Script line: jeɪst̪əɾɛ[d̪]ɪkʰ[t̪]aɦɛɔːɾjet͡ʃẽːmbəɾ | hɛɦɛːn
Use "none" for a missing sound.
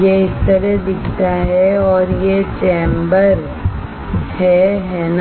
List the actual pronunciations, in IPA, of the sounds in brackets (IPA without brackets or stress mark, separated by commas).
d̪, t̪